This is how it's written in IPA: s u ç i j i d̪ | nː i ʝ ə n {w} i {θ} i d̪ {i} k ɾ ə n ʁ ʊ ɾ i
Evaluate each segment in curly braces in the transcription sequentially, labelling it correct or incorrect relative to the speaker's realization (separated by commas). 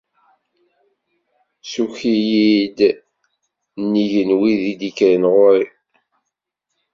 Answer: correct, incorrect, correct